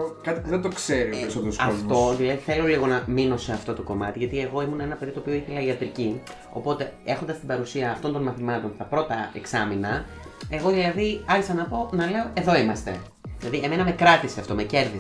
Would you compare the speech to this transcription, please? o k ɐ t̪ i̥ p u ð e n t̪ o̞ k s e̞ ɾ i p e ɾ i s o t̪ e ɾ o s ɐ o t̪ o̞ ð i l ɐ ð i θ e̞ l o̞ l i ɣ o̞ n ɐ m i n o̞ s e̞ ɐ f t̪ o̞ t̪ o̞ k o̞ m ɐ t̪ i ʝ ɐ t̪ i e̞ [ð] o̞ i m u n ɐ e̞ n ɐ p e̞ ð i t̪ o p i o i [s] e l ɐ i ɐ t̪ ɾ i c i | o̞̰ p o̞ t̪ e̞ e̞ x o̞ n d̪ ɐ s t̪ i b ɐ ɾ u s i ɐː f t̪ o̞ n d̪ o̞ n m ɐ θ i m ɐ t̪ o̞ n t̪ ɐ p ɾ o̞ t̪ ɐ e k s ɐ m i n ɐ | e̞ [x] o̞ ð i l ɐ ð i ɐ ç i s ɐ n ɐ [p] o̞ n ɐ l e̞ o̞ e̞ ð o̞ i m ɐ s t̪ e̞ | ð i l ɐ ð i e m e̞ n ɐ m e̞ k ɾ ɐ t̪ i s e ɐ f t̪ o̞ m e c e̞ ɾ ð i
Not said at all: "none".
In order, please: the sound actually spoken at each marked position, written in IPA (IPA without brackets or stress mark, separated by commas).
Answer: ɣ, θ, ɣ, p